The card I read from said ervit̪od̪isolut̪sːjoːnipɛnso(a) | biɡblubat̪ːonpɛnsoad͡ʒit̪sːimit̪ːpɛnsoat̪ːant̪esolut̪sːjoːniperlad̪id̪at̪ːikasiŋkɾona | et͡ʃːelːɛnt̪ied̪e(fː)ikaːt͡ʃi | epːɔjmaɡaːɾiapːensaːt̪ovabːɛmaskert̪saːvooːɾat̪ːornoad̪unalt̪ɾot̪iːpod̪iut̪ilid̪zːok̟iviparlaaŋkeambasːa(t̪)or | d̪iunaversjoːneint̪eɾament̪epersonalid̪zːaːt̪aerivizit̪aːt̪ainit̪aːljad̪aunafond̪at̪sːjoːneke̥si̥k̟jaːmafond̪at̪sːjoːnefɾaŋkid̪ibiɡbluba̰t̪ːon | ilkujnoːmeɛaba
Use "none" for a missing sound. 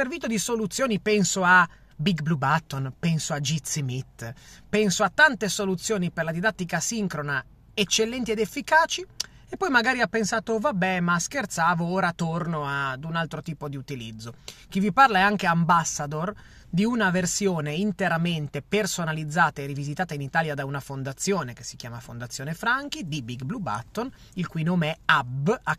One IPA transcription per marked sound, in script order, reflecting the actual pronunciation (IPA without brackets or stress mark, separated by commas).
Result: a, fː, d̪